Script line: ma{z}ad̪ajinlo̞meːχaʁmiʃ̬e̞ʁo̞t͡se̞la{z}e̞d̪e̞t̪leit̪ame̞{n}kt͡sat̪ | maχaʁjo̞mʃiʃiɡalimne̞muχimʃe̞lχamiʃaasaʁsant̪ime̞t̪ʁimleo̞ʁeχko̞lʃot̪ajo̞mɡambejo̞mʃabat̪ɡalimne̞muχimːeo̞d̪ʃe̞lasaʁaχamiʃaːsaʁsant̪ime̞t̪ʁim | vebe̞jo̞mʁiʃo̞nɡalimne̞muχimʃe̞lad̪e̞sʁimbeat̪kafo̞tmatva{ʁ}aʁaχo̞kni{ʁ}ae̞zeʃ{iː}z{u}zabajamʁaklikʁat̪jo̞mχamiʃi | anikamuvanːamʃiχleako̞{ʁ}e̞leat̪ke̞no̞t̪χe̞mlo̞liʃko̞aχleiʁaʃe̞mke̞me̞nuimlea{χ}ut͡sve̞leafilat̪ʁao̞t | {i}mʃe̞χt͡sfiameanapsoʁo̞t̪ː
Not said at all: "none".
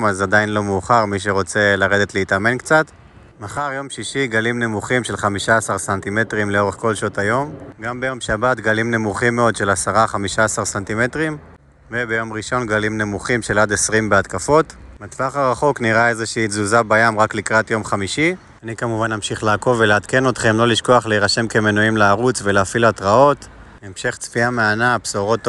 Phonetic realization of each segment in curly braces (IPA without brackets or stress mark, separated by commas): z, ʁ, n, χ, ʁ, iː, u, v, ʁ, e